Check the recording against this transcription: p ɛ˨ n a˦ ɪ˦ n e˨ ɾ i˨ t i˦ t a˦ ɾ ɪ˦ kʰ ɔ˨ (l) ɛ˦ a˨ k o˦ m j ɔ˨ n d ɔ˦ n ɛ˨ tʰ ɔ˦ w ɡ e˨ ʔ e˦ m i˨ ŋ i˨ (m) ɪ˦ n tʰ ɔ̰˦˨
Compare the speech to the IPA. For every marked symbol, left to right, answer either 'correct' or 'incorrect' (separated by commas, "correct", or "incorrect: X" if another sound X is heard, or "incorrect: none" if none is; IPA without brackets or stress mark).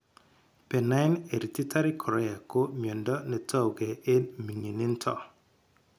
incorrect: ɾ, incorrect: n